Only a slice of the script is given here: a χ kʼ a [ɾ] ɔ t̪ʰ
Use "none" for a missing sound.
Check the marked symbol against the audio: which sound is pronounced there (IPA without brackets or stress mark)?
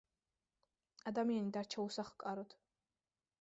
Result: ɾ